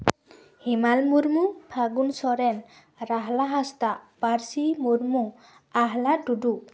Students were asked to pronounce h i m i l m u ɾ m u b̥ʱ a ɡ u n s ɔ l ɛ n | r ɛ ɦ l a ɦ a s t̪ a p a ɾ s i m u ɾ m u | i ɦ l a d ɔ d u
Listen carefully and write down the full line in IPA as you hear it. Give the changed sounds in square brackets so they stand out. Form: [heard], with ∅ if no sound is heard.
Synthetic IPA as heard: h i m [a] l m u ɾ m u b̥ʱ a ɡ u n s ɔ [ɾ] ɛ n | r [a] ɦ l a ɦ a s t̪ a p a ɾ s i m u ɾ m u | [a] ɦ l a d [u] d u